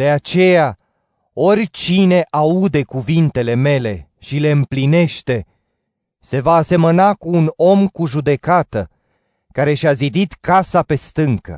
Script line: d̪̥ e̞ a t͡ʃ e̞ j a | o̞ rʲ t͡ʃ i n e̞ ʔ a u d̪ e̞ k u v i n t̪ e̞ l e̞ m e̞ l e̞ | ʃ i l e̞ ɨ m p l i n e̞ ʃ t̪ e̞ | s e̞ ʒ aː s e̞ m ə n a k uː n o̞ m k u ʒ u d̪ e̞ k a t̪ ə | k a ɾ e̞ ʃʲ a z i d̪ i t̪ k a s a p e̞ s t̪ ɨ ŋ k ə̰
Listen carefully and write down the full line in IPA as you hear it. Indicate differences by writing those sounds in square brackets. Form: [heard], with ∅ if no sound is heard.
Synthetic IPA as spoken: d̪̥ e̞ a t͡ʃ e̞ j a | o̞ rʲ t͡ʃ i n e̞ ʔ a u d̪ e̞ k u v i n t̪ e̞ l e̞ m e̞ l e̞ | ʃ i l e̞ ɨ m p l i n e̞ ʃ t̪ e̞ | s e̞ [v] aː s e̞ m ə n a k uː n o̞ m k u ʒ u d̪ e̞ k a t̪ ə | k a ɾ e̞ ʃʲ a z i d̪ i t̪ k a s a p e̞ s t̪ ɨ ŋ k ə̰